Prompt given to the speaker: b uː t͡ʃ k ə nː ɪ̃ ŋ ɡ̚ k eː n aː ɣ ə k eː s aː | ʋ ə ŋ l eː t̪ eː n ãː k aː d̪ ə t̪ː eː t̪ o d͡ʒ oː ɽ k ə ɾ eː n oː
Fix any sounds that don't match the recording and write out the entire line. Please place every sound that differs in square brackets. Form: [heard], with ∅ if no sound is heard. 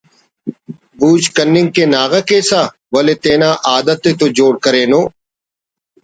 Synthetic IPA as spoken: b uː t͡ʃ k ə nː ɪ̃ ŋ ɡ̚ k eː n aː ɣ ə k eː s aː | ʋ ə [∅] l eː t̪ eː n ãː [ʔ] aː d̪ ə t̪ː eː t̪ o d͡ʒ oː ɽ k ə ɾ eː n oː